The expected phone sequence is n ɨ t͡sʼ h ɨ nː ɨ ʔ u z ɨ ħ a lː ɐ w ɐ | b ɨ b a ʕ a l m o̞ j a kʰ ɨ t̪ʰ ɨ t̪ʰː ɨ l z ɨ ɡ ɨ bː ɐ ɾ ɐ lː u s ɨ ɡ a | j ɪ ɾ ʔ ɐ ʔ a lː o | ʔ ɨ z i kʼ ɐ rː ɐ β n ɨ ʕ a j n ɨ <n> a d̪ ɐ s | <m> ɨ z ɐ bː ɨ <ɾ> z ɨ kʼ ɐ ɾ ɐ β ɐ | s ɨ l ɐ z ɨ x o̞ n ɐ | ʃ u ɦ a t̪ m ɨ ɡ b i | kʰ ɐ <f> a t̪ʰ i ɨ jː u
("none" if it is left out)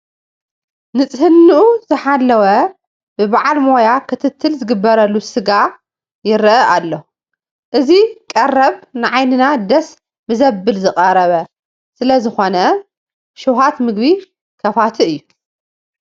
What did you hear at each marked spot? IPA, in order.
n, m, l, f

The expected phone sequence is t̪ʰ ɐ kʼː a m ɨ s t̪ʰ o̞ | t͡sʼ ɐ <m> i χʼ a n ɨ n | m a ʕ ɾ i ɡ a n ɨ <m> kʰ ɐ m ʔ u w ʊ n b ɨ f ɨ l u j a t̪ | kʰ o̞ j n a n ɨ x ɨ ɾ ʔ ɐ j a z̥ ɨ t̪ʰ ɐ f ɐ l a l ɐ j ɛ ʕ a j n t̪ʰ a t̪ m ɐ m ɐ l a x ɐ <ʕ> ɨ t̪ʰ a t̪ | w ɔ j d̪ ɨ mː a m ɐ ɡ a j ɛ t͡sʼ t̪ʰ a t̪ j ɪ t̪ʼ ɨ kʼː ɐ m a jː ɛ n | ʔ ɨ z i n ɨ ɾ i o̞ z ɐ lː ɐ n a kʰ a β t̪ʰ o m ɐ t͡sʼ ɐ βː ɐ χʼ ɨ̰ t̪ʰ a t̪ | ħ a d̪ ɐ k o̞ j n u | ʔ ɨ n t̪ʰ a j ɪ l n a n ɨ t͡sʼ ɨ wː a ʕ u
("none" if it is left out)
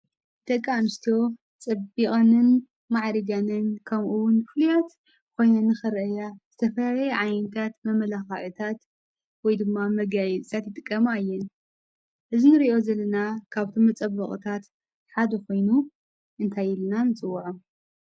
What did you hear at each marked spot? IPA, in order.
b, n, ʕ

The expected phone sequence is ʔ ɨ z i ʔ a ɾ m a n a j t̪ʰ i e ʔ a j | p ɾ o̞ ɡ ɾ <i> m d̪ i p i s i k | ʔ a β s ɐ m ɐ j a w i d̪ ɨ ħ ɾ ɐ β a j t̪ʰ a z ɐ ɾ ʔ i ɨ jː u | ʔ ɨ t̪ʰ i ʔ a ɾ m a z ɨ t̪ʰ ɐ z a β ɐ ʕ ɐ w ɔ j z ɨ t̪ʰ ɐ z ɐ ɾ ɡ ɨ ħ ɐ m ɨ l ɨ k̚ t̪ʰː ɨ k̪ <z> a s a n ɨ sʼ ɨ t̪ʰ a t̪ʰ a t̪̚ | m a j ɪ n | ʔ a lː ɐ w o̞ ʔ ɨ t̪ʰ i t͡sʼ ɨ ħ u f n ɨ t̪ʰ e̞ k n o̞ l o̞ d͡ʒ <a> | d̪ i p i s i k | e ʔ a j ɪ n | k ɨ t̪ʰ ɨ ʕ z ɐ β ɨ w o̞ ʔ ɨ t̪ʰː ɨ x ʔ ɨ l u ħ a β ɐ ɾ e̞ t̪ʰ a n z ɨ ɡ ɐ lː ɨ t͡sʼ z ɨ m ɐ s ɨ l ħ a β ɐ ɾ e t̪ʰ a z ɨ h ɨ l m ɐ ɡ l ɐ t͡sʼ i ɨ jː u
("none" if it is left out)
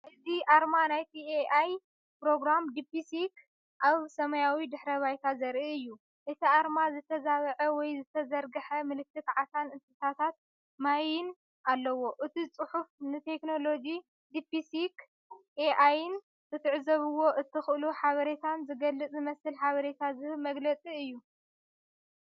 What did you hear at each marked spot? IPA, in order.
a, ʕ, i

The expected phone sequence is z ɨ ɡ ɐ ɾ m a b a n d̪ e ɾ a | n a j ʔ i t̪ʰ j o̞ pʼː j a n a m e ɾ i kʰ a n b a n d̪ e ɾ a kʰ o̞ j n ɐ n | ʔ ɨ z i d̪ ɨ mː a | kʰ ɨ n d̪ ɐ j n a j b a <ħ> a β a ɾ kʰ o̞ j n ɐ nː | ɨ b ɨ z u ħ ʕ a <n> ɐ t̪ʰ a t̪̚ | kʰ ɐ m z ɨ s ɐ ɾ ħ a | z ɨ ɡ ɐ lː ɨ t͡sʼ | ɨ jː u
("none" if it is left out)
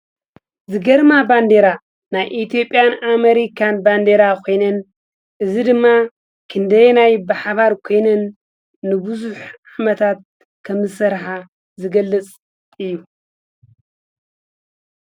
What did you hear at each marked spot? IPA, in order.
ħ, m

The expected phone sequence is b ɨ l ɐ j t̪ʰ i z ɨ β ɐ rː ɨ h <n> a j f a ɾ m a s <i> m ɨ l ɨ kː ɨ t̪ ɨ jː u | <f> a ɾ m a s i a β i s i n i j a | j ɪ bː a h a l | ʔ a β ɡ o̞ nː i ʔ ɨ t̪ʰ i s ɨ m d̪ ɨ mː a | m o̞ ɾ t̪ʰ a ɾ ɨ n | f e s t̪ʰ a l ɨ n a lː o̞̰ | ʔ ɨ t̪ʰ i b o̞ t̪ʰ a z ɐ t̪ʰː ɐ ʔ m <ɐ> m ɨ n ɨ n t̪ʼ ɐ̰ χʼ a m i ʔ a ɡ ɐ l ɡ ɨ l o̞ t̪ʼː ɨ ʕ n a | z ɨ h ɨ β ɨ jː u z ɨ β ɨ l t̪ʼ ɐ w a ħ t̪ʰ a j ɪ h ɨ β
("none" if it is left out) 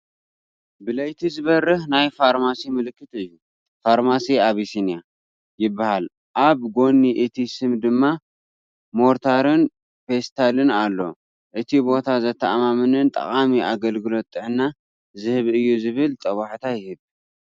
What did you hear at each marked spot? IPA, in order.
n, i, f, a

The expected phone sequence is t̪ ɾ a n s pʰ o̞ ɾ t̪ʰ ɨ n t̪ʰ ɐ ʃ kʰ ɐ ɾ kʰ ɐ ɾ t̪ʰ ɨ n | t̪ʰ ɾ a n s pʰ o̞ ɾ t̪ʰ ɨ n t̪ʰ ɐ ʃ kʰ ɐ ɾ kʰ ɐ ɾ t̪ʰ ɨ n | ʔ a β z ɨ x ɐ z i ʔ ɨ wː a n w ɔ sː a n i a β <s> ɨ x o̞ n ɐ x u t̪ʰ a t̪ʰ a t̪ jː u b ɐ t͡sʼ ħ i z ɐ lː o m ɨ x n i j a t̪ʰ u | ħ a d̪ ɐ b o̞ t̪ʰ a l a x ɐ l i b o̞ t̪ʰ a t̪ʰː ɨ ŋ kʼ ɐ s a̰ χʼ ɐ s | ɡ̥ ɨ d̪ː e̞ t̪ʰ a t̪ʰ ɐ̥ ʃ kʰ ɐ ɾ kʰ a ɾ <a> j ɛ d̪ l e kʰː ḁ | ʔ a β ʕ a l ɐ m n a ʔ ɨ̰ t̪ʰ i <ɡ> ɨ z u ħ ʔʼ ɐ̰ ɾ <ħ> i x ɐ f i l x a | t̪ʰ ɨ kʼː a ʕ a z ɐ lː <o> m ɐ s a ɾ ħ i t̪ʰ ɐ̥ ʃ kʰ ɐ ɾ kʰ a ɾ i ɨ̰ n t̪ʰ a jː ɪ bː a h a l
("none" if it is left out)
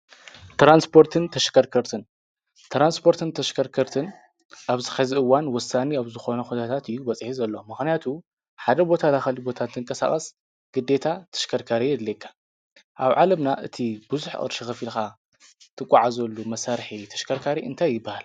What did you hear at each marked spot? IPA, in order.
z, i, b, ʃ, u

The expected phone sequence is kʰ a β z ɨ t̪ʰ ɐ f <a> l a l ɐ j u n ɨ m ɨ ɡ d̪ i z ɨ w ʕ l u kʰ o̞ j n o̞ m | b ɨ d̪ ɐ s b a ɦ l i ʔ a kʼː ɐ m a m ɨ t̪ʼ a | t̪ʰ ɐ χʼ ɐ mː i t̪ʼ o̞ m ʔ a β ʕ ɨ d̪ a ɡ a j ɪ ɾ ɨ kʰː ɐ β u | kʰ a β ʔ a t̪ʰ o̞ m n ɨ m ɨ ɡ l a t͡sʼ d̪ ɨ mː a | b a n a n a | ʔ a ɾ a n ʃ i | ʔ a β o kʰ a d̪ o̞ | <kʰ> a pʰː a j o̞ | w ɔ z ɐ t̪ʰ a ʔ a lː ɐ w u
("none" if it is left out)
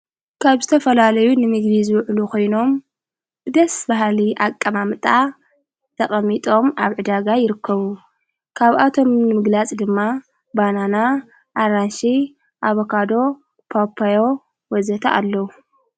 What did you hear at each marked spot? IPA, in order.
ɐ, pʰ

